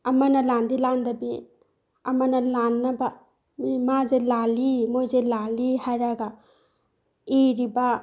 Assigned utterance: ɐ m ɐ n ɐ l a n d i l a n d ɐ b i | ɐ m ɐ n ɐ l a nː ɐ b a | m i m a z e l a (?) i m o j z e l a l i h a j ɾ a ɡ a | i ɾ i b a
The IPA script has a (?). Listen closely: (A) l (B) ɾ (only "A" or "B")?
A